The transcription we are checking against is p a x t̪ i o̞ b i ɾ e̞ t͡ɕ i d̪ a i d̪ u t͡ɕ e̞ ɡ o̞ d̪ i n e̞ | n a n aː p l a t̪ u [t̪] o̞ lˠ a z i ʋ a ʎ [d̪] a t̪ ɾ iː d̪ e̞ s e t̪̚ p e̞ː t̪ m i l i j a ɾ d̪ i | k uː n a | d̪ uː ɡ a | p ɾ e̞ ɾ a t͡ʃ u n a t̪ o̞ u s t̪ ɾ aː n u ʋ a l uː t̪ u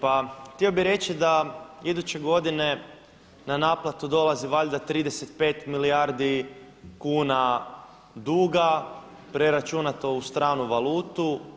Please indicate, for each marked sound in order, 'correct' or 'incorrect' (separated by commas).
incorrect, correct